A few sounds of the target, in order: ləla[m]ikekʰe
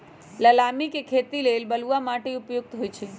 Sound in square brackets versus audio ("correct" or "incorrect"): correct